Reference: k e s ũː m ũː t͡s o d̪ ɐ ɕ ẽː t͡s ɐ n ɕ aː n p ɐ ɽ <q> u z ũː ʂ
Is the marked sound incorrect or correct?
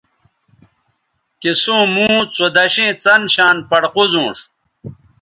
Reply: correct